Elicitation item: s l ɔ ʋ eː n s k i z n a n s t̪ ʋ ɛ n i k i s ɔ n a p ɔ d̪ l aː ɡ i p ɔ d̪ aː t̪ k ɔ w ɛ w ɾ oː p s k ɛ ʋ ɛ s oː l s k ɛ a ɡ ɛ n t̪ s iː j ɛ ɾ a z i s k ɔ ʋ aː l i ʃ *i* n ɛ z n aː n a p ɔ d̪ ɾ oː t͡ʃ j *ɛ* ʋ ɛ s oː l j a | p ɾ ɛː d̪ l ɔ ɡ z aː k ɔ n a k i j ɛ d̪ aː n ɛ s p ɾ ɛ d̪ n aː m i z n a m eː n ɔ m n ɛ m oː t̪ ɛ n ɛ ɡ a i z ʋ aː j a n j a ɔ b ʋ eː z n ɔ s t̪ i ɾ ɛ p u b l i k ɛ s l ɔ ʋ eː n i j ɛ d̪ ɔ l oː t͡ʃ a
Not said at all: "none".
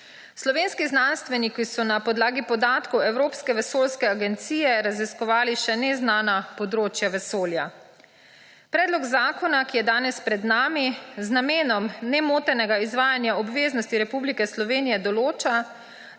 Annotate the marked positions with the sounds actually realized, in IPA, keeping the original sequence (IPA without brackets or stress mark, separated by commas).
ɛ, a